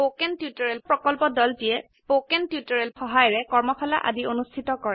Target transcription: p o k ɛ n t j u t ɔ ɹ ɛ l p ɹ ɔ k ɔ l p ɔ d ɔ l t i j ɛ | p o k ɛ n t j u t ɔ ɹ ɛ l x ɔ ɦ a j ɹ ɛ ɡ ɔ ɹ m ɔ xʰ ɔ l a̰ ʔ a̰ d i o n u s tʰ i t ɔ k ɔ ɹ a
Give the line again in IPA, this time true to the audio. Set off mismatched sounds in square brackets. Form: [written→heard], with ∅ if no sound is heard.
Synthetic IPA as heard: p o k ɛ n t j u t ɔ ɹ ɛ l p ɹ ɔ k ɔ l p ɔ d ɔ l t i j ɛ | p o k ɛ n t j u t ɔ ɹ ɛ l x ɔ ɦ a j ɹ ɛ [ɡ→k] ɔ ɹ m ɔ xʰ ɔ l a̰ ʔ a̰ d i o n u s tʰ i t ɔ k ɔ ɹ [a→ɛ]